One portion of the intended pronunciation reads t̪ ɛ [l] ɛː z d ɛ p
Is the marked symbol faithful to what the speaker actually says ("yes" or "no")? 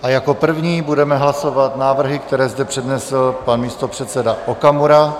no